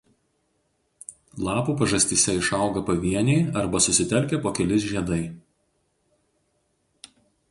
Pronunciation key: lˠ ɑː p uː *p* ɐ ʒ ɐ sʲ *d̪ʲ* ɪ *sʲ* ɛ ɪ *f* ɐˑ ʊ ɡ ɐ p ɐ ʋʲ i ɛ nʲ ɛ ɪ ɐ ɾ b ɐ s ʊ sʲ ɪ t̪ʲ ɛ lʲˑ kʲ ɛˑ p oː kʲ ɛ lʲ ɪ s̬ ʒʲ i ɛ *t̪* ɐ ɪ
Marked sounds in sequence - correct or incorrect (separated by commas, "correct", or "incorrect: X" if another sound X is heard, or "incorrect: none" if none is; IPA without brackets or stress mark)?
correct, incorrect: t̪ʲ, correct, incorrect: ʃ, incorrect: d̪